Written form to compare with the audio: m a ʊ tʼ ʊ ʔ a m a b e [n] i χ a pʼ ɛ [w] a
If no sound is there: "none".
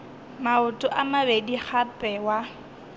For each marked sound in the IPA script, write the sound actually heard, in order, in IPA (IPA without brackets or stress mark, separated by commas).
d, w